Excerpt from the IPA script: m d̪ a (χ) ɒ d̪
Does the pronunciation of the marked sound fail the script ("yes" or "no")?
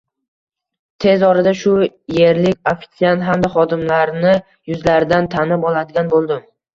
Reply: no